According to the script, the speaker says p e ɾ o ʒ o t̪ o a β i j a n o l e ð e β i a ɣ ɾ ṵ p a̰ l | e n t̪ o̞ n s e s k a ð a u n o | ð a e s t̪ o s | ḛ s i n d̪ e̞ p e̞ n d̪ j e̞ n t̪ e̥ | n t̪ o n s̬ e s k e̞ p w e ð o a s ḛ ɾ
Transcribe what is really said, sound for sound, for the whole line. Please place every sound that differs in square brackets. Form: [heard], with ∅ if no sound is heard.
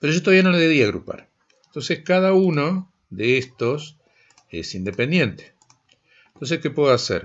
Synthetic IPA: p e ɾ o ʒ o t̪ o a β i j a n o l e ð e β i a ɣ ɾ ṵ p a̰ [ɾ] | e n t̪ o̞ n s e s k a ð a u n o | ð [e] e s t̪ o s | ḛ s i n d̪ e̞ p e̞ n d̪ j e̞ n t̪ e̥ | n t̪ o n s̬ e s k e̞ p w e ð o a s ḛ ɾ